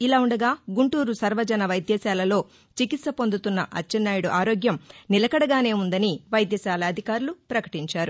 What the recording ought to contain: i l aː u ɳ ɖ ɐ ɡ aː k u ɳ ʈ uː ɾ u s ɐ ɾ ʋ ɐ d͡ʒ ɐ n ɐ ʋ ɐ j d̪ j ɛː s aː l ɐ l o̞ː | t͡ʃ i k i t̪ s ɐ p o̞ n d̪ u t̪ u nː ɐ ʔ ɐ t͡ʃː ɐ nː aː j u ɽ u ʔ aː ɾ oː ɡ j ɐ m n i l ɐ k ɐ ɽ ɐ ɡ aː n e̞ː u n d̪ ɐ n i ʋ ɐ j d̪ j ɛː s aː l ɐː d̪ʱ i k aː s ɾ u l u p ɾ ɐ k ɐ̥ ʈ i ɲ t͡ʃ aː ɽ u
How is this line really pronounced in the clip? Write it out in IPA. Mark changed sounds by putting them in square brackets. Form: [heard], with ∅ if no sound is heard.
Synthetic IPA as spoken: i l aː u ɳ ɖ ɐ ɡ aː [ɡ] u ɳ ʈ uː ɾ u s ɐ ɾ ʋ ɐ d͡ʒ ɐ n ɐ ʋ ɐ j d̪ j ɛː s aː l ɐ l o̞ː | t͡ʃ i k i t̪ s ɐ p o̞ n d̪ u t̪ u nː ɐ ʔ ɐ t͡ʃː ɐ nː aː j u ɽ u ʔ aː ɾ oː ɡ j ɐ m n i l ɐ k ɐ ɽ ɐ ɡ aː n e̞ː u n d̪ ɐ n i ʋ ɐ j d̪ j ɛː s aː l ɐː d̪ʱ i k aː [∅] ɾ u l u p ɾ ɐ k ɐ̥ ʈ i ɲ t͡ʃ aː [ɾ] u